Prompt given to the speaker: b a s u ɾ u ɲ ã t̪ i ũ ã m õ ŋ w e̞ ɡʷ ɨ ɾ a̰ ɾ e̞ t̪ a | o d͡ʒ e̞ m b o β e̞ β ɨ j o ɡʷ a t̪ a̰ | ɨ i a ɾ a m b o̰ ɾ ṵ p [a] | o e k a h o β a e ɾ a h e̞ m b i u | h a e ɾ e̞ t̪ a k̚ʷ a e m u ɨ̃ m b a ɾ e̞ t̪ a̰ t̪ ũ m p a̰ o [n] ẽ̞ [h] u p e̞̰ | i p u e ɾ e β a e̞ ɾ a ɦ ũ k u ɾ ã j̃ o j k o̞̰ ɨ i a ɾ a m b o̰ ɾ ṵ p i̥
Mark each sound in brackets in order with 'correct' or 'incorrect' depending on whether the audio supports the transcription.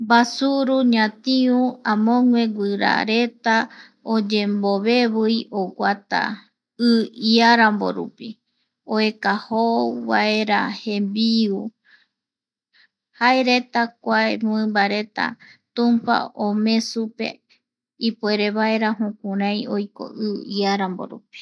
incorrect, incorrect, incorrect

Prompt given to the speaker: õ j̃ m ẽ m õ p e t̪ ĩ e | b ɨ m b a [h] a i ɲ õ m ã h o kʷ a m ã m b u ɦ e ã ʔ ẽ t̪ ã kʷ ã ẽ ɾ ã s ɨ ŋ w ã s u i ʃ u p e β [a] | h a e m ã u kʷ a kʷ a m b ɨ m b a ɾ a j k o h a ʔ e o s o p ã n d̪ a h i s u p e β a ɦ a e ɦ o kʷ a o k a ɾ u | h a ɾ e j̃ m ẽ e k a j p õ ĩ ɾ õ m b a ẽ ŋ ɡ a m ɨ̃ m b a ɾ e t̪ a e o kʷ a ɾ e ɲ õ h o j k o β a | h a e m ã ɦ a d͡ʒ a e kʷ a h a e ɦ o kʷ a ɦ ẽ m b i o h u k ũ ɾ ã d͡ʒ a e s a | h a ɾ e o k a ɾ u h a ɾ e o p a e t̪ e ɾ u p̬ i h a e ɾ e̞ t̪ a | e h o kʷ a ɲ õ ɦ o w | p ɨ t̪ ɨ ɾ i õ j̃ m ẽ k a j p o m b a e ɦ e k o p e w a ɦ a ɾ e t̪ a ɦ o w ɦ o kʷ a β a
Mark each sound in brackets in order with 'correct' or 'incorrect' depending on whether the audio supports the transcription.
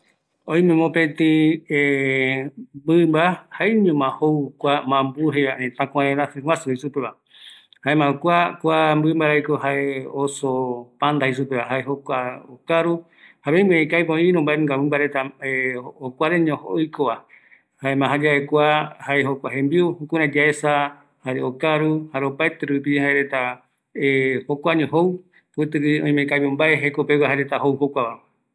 correct, correct

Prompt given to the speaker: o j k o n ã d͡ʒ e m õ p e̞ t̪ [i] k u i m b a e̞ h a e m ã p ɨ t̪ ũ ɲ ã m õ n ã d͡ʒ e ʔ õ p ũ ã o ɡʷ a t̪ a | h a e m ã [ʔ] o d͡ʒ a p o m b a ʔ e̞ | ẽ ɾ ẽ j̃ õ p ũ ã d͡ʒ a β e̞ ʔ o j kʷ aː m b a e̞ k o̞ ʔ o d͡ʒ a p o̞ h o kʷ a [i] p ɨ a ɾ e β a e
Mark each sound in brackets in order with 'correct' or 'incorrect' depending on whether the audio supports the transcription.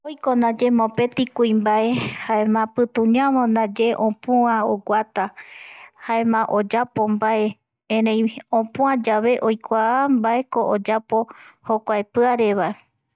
correct, correct, incorrect

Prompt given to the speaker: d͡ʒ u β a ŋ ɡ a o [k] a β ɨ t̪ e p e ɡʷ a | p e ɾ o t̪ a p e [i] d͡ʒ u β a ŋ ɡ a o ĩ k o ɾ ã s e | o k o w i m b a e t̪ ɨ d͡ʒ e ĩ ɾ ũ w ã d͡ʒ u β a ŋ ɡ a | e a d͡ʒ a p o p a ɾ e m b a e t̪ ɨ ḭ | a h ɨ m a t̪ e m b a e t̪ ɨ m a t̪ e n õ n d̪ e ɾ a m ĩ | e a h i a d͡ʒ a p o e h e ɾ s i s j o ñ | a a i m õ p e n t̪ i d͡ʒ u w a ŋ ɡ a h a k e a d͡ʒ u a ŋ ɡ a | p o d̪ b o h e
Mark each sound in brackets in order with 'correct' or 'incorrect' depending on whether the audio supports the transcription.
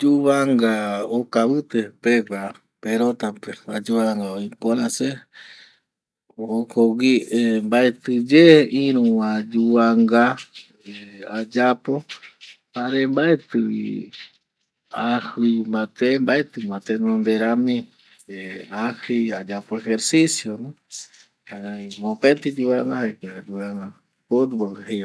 correct, incorrect

